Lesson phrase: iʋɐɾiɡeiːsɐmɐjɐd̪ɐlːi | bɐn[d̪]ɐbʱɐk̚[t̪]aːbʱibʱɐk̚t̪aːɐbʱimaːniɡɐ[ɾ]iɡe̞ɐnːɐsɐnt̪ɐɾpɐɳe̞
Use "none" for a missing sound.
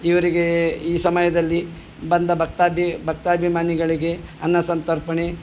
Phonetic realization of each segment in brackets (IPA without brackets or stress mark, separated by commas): d̪, t̪, ɭ